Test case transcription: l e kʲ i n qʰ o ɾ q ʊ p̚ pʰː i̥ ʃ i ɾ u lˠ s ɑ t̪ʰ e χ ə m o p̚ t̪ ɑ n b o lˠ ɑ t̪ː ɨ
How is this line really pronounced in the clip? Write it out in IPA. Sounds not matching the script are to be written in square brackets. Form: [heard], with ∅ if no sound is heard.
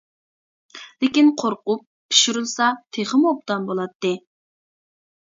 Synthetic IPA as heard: l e kʲ i n qʰ o ɾ q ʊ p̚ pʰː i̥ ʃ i ɾ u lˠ s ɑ t̪ʰ e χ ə m o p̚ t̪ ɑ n b o lˠ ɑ t̪ː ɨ